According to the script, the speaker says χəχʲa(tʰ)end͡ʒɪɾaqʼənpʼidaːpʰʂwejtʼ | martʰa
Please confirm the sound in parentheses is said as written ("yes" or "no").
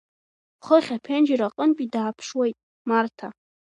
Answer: no